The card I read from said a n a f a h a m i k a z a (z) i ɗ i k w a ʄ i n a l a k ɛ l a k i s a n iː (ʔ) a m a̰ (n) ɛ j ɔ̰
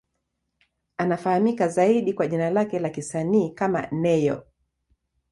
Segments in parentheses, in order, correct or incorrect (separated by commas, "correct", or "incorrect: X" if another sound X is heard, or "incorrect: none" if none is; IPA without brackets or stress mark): incorrect: none, incorrect: k, correct